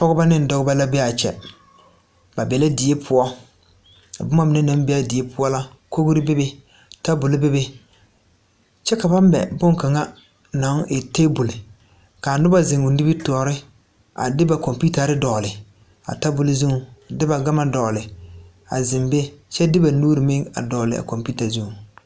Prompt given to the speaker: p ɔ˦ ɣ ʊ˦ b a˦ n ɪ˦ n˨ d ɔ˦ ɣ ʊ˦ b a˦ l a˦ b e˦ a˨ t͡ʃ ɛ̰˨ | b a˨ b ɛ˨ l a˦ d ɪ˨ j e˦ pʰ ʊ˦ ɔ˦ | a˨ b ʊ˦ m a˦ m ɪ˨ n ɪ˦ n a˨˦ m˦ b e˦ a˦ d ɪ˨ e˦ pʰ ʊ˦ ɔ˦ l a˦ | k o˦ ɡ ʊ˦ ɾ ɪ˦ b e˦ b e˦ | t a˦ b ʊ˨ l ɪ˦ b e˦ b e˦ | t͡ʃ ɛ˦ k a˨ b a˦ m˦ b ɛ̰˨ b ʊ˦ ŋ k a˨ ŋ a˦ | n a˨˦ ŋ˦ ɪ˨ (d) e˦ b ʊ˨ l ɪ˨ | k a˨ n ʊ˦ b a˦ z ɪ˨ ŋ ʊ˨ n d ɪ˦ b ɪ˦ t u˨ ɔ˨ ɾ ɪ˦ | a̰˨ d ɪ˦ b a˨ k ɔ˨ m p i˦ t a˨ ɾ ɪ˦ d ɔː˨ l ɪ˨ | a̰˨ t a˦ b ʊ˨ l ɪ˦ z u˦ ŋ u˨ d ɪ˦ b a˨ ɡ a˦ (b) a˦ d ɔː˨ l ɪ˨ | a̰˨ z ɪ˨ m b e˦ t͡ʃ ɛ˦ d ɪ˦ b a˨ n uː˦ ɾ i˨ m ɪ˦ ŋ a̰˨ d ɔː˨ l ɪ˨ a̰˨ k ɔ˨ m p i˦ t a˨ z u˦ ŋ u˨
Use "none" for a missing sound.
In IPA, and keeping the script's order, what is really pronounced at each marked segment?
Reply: t, m

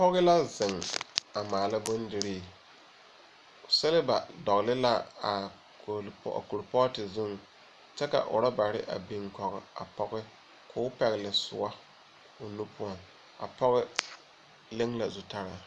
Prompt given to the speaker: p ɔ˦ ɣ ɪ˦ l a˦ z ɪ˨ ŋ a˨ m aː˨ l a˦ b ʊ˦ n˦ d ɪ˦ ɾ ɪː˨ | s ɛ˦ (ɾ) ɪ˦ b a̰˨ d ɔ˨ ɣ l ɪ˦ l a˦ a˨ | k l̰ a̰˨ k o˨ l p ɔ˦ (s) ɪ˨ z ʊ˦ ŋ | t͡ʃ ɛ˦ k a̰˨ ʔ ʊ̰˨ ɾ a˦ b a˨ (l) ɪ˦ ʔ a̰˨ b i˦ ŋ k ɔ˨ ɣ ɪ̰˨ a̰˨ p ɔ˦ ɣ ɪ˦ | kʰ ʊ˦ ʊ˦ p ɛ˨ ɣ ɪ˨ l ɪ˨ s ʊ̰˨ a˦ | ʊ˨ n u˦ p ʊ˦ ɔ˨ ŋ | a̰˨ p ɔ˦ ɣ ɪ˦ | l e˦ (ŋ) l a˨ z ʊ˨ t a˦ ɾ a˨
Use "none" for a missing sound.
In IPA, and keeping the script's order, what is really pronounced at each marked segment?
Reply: l, t, ɾ, ŋ

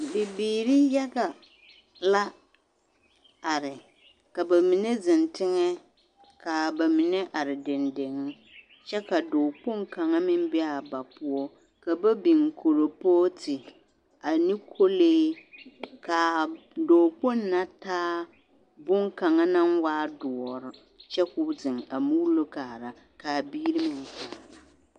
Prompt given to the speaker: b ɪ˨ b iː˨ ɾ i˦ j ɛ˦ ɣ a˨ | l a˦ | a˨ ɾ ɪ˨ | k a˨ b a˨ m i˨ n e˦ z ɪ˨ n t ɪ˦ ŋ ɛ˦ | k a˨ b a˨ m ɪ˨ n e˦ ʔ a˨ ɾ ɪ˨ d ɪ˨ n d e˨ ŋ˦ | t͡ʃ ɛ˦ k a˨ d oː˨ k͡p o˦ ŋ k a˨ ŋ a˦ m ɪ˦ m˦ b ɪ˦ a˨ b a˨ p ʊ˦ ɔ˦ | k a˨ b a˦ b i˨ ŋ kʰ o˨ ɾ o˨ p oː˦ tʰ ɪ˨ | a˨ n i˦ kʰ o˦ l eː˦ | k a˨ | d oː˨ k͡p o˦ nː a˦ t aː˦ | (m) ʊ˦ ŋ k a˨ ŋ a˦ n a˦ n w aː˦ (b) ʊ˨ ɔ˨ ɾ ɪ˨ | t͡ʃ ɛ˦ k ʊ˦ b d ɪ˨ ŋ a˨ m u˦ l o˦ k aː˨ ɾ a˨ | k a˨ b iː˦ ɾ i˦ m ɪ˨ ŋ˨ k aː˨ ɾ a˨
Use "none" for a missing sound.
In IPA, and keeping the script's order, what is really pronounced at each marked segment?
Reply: b, d

